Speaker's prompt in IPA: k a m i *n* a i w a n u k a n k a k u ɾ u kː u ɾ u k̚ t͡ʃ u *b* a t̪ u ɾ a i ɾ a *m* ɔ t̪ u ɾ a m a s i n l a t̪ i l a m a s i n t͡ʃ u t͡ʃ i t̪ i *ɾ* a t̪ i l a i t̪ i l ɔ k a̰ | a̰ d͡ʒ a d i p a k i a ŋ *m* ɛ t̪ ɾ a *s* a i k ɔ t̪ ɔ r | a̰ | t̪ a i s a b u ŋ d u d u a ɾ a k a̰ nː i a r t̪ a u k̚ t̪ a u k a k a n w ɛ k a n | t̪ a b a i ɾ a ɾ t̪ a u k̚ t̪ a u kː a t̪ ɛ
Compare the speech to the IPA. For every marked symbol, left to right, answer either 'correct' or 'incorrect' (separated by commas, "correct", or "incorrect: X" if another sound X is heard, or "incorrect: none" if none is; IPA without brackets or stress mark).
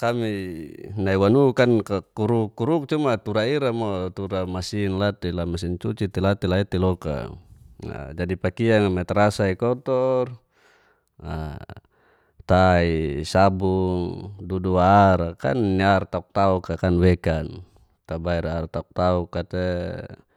correct, incorrect: m, correct, incorrect: l, correct, correct